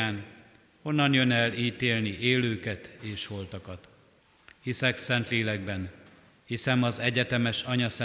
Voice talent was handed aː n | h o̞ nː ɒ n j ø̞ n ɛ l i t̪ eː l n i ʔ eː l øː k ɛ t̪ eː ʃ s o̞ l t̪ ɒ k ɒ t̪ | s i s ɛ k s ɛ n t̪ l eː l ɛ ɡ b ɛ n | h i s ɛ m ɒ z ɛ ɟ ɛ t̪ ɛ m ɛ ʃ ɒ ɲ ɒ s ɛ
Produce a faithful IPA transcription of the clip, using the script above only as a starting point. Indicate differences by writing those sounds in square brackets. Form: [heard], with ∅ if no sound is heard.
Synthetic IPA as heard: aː n | h o̞ nː ɒ n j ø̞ n ɛ l [iː] t̪ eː l n i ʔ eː l øː k ɛ t̪ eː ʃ [h] o̞ l t̪ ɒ k ɒ t̪ | [h] i s ɛ k s ɛ n t̪ l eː l ɛ ɡ b ɛ n | h i s ɛ m ɒ z ɛ ɟ ɛ t̪ ɛ m ɛ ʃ ɒ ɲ ɒ s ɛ